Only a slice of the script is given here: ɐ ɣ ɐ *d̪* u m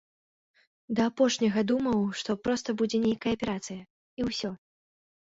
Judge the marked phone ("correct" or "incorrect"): correct